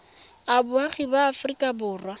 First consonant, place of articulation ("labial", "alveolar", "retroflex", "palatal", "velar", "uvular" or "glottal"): labial